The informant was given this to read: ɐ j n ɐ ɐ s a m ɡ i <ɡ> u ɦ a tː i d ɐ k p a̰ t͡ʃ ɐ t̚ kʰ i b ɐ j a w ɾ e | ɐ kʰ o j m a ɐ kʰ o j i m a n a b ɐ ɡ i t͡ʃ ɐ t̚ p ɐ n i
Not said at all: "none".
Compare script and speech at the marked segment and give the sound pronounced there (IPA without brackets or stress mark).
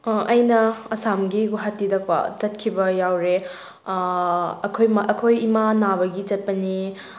ɡ